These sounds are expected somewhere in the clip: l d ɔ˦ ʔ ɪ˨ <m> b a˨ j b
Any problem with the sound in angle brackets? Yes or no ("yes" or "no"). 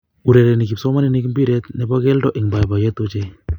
yes